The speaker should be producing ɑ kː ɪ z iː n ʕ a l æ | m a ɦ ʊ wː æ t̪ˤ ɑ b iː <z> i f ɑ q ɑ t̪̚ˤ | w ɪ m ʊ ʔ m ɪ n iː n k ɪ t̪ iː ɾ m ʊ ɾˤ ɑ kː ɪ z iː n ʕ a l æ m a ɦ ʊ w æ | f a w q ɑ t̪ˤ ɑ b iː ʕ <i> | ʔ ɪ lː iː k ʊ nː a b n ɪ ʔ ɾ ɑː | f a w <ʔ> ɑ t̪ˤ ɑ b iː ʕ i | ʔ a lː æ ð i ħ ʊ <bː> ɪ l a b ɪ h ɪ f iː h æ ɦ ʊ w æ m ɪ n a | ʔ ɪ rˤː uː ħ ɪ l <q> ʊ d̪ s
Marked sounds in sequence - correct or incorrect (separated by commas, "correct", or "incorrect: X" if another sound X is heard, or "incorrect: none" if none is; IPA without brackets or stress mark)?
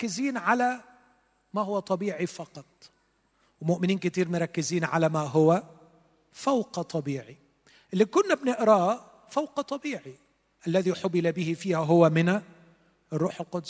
incorrect: ʕ, correct, incorrect: q, incorrect: b, correct